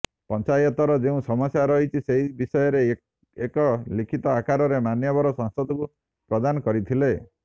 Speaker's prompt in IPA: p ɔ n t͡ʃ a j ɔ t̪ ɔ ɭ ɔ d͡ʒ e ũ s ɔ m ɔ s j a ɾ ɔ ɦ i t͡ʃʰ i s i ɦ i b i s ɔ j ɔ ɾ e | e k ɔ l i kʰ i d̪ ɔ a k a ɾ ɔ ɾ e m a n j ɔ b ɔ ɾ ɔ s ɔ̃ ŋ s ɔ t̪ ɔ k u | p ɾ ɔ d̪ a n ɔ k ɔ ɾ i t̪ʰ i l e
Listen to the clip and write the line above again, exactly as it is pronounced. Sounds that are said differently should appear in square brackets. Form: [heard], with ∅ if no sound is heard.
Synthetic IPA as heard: p ɔ n t͡ʃ a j ɔ t̪ ɔ [ɾ] ɔ d͡ʒ e ũ s ɔ m ɔ s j a ɾ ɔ ɦ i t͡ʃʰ i s [e] ɦ i b i s ɔ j ɔ ɾ e | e k ɔ l i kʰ i [t̪] ɔ a k a ɾ ɔ ɾ e m a n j ɔ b ɔ ɾ ɔ s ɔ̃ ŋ s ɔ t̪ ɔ k u | p ɾ ɔ d̪ a n ɔ k ɔ ɾ i t̪ʰ i l e